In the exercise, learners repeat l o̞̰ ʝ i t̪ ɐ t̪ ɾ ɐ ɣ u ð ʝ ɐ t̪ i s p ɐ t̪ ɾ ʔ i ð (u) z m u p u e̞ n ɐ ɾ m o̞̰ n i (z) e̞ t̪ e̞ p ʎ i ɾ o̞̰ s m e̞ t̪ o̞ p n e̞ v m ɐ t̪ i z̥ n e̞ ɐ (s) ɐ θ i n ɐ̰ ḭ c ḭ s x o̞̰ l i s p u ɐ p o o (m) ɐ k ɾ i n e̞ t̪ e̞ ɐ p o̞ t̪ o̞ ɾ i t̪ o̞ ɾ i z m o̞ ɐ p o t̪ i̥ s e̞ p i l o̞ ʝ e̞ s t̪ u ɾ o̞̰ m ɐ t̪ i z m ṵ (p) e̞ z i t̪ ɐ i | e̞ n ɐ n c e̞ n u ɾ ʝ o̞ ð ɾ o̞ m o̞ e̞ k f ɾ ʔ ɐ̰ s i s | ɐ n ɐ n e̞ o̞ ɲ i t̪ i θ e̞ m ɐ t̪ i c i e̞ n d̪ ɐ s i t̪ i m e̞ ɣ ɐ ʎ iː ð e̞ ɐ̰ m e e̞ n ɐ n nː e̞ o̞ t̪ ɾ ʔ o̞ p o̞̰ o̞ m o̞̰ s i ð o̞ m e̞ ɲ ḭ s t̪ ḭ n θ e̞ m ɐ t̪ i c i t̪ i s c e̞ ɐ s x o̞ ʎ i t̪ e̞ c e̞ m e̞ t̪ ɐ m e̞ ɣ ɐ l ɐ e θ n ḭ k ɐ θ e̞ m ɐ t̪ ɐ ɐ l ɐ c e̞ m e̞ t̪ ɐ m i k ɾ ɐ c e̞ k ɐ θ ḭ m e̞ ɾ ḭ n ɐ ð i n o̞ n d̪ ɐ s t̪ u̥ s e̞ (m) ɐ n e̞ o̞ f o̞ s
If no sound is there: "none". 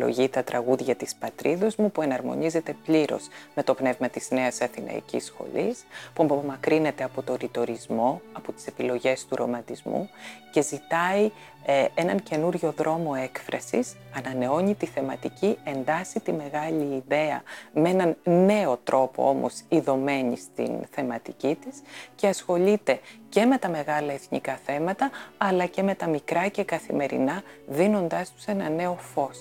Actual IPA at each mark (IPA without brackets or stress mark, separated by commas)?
o, z, s, m, c, n